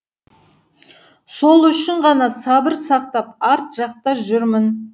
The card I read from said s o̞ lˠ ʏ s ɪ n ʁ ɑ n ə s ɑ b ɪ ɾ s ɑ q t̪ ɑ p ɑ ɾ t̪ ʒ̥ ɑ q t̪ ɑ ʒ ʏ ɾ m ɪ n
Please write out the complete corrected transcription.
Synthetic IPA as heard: s o̞ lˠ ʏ ʃ ɪ ɴ ʁ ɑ n ɑ s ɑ b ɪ ɾ s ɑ q t̪ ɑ p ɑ ɾ t̪ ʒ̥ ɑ q t̪ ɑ ʒ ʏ ɾ m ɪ n